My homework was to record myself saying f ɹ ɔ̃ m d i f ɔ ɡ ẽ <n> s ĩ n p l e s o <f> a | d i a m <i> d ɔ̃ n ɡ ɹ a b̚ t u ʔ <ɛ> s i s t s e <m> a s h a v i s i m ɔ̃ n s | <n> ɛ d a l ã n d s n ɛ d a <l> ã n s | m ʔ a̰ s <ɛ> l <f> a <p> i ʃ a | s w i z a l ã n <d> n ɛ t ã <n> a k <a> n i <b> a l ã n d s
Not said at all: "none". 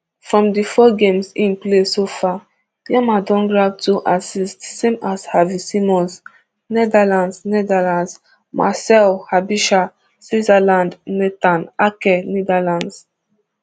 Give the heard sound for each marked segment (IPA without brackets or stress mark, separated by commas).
m, f, a, a, m, n, l, ɛ, h, b, d, n, ɛ, d